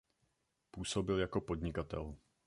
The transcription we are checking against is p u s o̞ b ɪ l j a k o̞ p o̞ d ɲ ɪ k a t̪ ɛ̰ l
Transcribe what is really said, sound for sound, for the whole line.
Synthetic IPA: p uː s o̞ b ɪ l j a k o̞ p o̞ d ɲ ɪ k a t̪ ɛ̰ l